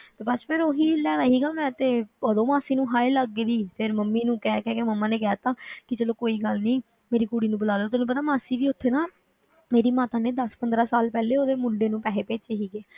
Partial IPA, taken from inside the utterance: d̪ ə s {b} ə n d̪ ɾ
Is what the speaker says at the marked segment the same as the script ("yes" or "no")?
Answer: no